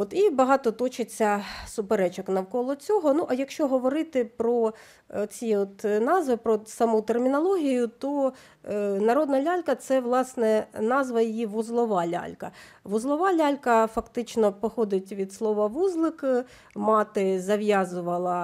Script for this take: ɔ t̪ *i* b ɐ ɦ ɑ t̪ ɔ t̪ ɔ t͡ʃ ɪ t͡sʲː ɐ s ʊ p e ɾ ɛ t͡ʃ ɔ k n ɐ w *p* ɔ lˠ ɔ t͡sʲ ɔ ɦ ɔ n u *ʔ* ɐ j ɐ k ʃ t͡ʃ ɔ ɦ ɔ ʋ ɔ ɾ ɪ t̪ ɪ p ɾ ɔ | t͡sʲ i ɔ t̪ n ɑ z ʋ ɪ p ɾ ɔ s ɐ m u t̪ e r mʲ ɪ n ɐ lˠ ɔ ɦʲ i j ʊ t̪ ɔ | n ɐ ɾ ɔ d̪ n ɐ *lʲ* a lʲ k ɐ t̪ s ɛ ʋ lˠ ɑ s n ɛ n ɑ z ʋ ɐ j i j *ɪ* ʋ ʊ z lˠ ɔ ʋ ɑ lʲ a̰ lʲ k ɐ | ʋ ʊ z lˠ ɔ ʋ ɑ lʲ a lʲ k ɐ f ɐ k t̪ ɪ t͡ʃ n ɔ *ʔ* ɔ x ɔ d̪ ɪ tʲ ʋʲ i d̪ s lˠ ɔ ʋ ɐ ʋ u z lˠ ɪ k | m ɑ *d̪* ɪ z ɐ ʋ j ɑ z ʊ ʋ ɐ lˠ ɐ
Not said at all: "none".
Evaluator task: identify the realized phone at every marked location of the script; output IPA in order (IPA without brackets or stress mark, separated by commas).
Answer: i, k, ʔ, lʲ, i, p, t̪